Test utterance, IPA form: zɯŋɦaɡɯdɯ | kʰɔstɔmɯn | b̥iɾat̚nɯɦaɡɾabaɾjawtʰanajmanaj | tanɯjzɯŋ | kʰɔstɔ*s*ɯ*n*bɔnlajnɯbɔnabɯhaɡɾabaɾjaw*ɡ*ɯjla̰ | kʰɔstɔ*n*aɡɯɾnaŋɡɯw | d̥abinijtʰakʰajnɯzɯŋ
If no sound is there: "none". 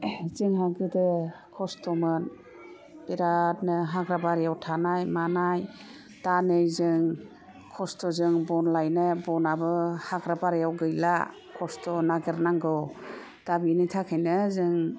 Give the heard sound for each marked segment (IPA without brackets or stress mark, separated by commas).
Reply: z, ŋ, ɡ, n